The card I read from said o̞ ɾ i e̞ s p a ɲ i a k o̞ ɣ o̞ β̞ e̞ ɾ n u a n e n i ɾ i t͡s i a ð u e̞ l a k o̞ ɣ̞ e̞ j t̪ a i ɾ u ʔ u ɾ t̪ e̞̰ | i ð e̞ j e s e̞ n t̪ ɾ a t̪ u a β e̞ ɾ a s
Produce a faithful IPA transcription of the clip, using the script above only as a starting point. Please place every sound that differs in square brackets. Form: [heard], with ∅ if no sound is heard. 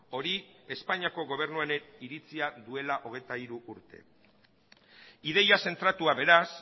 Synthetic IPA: o̞ ɾ i e̞ s p a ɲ i a k o̞ ɣ o̞ β̞ e̞ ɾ n u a n e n i ɾ i t͡s i a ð u e̞ l a [ʔ] o̞ ɣ̞ e̞ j t̪ a i ɾ u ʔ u ɾ t̪ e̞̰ | i ð e̞ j [a] s e̞ n t̪ ɾ a t̪ u a β e̞ ɾ a s